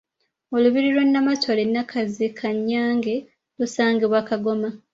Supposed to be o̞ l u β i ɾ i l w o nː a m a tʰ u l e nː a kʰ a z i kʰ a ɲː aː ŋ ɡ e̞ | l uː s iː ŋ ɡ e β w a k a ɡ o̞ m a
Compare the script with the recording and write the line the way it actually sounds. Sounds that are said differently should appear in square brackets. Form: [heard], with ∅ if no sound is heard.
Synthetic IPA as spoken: o̞ l u β i ɾ i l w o nː a m a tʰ [o] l e nː a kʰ a z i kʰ a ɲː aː ŋ ɡ e̞ | l [u] s [aː] ŋ ɡ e β w a k a ɡ o̞ m a

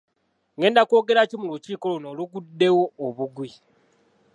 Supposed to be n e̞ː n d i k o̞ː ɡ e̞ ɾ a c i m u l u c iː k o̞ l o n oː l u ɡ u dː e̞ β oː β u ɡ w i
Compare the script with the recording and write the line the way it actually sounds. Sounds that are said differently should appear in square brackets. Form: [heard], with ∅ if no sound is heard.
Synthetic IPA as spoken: [ŋ] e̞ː n d [a] k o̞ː ɡ e̞ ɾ a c i m u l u c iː k o̞ l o n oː l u ɡ u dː e̞ [w] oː β u ɡ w i

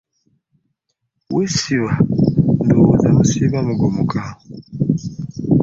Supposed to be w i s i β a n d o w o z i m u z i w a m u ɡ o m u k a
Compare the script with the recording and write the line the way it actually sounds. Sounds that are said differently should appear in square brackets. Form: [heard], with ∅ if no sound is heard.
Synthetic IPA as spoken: w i s i β a n d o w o z [a] m u [s] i [β] a m u ɡ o m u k a

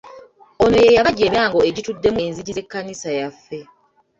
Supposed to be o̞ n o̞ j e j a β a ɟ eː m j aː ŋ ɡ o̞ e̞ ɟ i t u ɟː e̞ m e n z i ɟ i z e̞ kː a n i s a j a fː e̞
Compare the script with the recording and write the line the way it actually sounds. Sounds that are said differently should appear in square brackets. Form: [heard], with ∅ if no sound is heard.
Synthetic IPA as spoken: o̞ n o̞ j e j a β a ɟ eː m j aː ŋ ɡ o̞ e̞ ɟ i t u [dː] e̞ m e n z i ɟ i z e̞ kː a n i s a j a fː e̞

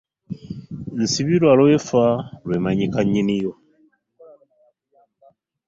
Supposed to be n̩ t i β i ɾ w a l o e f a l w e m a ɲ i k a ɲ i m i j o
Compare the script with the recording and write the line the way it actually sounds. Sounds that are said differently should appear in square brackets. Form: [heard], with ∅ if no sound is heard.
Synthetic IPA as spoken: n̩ [s] i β i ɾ w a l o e f a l w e m a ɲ i k a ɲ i [n] i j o

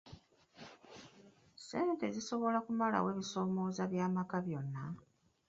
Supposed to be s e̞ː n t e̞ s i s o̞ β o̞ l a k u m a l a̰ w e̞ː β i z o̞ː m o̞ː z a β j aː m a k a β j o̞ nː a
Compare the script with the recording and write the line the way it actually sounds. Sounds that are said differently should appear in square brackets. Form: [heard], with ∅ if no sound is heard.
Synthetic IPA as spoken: s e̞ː n t e̞ [z] i s o̞ β o̞ l a k u m a l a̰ w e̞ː β i [s] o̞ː m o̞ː z a β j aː m a k a β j o̞ nː a

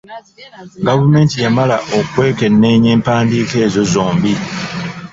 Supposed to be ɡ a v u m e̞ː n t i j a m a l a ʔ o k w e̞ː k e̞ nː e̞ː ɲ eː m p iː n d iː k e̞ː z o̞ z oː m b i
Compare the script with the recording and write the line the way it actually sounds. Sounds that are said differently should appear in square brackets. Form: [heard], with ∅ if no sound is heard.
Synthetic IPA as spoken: ɡ a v u m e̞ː n t i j a m a l a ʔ o k w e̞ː k e̞ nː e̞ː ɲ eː m p [aː] n d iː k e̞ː z o̞ z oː m b i

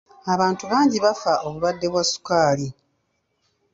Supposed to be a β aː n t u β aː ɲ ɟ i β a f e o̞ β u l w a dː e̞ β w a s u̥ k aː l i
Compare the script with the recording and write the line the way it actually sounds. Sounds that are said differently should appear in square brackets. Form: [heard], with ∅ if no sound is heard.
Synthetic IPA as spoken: a β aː n t u β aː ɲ ɟ i β a f [a] o̞ β u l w a dː e̞ β w a s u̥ k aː l i

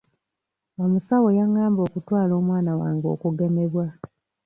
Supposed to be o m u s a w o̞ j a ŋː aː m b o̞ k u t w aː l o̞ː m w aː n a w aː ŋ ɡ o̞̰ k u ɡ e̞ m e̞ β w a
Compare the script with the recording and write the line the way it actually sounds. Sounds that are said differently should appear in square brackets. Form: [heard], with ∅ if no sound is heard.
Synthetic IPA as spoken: o m u s a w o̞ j a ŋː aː m b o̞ k u t w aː l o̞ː m w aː n a w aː ŋ ɡ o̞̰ k u ɡ e̞ m e̞ β w a

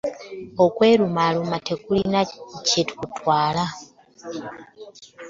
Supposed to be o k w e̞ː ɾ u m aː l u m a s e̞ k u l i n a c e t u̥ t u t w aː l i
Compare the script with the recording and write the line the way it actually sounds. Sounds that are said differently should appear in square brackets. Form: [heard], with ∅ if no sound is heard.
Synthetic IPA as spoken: o k w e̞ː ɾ u m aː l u m a [t] e̞ k u l i n a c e t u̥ [k] u t w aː l [a]

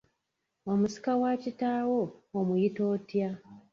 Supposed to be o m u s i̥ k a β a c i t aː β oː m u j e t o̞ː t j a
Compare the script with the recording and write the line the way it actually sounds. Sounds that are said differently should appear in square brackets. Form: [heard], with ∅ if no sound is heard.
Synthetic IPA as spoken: o m u s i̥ k a [w] a c i t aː [w] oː m u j [i] t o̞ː t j a

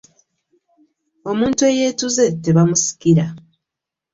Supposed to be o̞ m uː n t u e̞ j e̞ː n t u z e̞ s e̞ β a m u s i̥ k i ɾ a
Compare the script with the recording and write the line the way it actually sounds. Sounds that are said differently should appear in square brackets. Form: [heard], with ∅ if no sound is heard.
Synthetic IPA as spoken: o̞ m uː n t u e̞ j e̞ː [∅] t u z e̞ [t] e̞ β a m u s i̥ k i ɾ a

